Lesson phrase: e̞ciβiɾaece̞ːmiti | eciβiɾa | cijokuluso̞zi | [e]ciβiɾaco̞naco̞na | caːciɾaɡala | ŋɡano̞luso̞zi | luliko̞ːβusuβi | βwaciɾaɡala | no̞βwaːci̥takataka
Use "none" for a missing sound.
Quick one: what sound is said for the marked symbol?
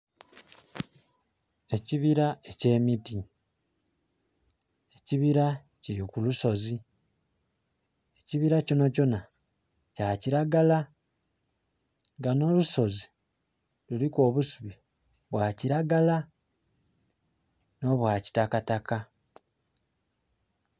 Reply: e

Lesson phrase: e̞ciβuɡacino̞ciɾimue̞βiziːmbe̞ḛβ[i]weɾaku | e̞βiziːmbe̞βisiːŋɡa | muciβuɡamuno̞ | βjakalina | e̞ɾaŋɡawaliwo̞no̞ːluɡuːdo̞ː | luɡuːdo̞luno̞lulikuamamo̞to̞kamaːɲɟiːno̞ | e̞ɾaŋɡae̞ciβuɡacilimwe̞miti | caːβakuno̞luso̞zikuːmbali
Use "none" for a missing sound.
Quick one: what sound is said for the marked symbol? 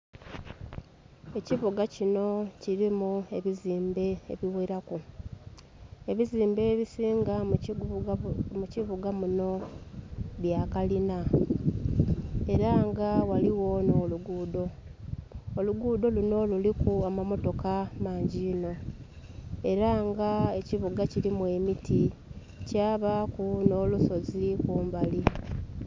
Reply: i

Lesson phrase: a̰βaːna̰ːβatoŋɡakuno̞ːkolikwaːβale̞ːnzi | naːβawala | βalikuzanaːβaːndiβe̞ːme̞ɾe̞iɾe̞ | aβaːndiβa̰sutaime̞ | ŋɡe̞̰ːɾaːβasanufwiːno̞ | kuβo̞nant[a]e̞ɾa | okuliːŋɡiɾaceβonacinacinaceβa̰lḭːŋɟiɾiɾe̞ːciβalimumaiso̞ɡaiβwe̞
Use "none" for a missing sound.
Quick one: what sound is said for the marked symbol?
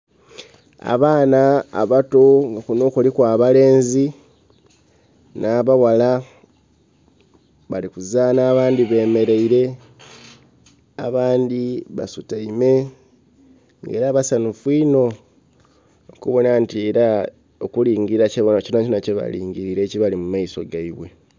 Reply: i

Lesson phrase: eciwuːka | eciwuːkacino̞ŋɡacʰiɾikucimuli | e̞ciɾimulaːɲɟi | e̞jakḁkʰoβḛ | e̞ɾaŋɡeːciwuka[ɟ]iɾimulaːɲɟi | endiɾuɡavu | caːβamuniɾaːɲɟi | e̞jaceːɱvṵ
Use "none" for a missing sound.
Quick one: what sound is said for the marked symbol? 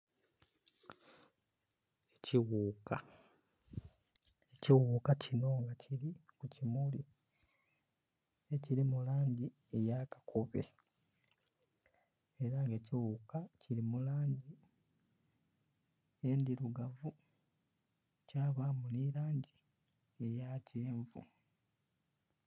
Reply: c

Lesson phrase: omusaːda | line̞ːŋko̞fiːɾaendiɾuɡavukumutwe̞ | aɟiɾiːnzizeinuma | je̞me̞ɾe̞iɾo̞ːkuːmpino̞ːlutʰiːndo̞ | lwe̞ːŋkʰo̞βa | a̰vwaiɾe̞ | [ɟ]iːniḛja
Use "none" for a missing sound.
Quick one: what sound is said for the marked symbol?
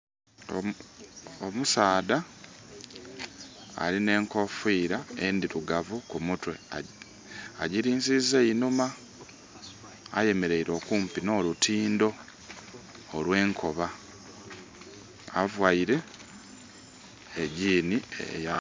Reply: ɟ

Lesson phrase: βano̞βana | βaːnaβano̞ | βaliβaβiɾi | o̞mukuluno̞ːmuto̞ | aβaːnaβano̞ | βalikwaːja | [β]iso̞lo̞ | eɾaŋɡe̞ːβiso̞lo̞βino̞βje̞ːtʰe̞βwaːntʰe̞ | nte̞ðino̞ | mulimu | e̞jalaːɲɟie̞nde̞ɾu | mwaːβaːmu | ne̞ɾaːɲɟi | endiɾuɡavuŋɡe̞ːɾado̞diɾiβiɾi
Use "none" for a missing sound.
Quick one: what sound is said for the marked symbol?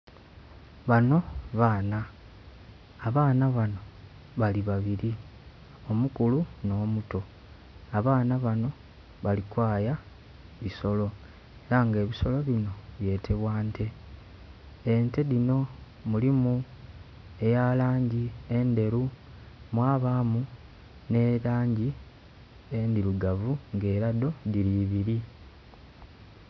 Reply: β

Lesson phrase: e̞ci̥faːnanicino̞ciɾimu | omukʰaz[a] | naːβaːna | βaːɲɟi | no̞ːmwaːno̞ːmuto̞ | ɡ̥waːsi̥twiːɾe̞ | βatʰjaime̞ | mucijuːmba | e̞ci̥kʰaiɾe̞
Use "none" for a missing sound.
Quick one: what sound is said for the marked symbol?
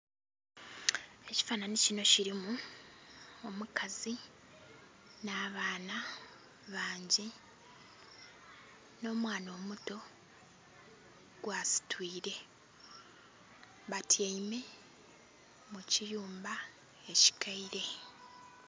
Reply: i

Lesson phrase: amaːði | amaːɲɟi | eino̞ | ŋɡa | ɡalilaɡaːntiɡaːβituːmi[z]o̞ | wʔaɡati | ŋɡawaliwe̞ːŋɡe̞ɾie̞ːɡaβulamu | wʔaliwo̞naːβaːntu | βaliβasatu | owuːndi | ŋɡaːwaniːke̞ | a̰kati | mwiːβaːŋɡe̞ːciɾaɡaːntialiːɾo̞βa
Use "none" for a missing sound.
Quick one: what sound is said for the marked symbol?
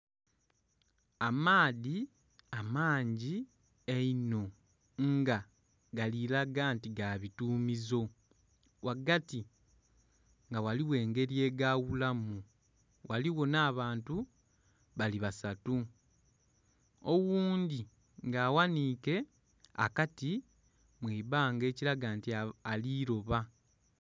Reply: z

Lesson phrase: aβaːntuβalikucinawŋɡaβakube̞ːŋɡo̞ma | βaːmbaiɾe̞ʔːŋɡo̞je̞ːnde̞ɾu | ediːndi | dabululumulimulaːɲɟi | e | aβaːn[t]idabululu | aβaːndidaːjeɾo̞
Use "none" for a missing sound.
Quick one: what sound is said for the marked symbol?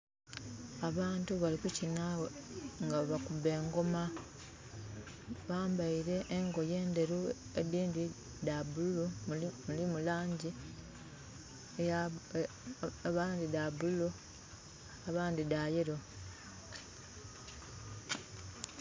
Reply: d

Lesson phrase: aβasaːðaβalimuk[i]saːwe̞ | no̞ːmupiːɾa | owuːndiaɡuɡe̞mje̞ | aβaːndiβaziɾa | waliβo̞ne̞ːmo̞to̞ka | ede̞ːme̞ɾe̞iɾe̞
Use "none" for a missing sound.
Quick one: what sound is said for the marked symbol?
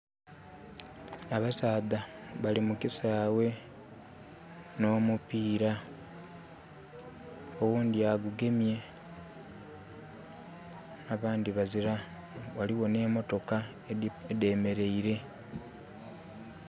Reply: i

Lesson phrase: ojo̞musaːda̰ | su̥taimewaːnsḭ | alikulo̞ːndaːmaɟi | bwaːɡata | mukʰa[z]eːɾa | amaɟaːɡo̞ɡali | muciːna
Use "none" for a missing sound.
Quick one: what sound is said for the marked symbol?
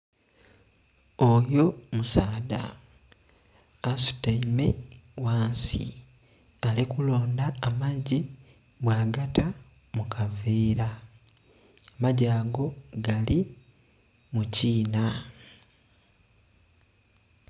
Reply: v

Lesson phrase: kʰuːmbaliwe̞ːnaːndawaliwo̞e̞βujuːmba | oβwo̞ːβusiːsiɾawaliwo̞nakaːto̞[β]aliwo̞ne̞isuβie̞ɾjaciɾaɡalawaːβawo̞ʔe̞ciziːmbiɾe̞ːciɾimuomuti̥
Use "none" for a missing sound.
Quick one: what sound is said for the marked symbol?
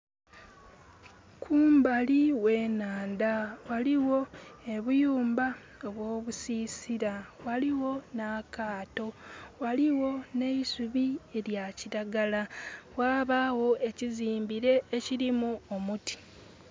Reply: w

